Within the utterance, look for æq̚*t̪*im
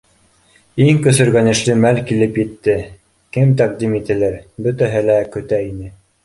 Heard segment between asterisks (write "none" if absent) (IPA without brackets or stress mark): d̪